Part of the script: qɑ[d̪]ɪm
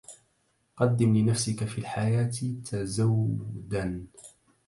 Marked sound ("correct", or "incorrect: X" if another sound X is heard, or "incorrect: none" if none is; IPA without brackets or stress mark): incorrect: d̪ː